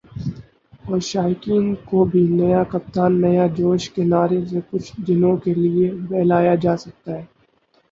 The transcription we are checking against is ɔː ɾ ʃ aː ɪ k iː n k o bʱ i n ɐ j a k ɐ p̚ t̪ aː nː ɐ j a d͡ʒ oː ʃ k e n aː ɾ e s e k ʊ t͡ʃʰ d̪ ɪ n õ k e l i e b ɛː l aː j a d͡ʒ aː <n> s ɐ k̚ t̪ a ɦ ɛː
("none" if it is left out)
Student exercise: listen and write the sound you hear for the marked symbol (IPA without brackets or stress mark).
none